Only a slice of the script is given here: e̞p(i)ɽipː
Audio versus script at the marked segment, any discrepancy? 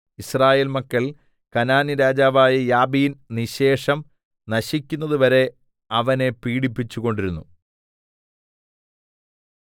yes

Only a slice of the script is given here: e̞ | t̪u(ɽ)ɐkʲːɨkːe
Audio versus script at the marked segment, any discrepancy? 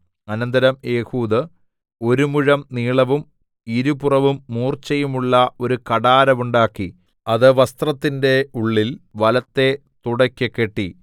no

